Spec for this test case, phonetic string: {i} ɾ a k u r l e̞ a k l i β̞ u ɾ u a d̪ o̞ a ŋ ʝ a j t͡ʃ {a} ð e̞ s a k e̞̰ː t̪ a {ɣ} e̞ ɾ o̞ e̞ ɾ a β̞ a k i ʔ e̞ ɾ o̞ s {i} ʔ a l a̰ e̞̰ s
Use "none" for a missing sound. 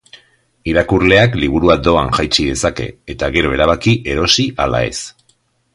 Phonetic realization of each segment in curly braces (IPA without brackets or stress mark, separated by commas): i, i, ɣ, i